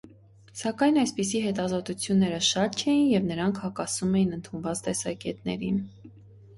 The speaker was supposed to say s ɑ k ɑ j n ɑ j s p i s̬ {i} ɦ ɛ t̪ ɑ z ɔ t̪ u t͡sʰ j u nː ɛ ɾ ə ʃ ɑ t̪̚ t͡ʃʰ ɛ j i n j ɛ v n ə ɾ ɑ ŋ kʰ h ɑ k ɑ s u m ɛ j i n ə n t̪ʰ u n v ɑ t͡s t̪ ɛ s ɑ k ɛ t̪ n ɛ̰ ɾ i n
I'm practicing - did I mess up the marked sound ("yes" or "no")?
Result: no